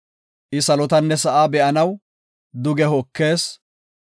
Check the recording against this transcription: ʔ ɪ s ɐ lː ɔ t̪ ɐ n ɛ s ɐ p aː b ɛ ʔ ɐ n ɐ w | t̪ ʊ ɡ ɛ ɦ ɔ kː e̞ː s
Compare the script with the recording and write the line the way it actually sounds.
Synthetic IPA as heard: ʔ ɪ s ɐ l ɔ t̪ ɐ nː ɛ s ɐ ʔ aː b ɛ ʔ ɐ n ɐ w | d̪ ʊ ɡ ɛ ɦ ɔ kː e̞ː s